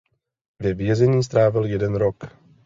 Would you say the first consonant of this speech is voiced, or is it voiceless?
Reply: voiced